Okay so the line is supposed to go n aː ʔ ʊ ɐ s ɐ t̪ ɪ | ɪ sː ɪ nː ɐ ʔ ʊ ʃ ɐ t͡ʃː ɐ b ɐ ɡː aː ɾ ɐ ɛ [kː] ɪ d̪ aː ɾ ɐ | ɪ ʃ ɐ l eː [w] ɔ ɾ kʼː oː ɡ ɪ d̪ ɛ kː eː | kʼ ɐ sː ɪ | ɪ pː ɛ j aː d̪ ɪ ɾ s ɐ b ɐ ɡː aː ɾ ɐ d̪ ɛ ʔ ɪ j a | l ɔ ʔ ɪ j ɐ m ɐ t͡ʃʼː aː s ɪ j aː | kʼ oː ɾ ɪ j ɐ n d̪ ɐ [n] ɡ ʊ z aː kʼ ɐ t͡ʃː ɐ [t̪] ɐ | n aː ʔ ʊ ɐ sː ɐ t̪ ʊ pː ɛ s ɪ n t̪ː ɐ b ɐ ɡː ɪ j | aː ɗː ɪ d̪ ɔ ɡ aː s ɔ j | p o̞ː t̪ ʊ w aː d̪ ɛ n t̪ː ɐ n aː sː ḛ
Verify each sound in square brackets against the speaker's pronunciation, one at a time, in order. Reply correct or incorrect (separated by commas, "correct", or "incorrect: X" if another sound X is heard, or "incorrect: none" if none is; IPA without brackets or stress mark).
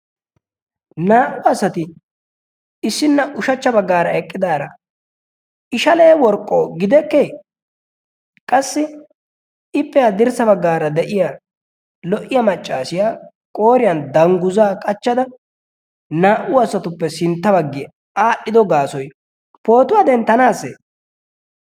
incorrect: kʼː, correct, incorrect: ŋ, incorrect: d̪